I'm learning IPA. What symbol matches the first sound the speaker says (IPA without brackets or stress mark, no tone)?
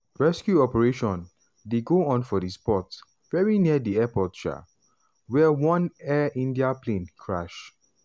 ɹ